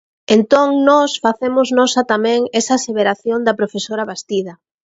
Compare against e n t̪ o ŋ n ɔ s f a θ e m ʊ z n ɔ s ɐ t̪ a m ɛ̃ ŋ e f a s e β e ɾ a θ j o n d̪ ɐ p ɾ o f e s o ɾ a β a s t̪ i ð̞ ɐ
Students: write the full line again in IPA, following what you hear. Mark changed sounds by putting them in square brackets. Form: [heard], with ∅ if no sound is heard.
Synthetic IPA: e n t̪ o ŋ n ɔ s f a θ e m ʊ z n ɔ s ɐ t̪ a m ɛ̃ ŋ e [s] a s e β e ɾ a θ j o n d̪ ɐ p ɾ o f e s o ɾ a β a s t̪ i ð̞ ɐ